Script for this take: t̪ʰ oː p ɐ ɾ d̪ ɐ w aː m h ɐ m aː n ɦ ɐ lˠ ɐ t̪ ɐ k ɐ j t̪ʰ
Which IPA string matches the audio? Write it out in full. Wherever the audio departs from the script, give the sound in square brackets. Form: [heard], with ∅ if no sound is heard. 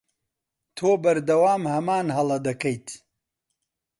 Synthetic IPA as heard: t̪ʰ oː [b] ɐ ɾ d̪ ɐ w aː m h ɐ m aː n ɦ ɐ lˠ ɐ [d̪] ɐ k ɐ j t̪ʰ